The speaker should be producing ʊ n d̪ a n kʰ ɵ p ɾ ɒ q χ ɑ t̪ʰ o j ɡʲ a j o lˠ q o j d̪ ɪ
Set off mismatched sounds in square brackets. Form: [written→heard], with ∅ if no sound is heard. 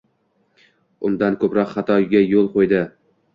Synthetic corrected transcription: ʊ n d̪ a n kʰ ɵ p ɾ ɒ q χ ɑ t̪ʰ [o→ɒ] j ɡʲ a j o lˠ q o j d̪ ɪ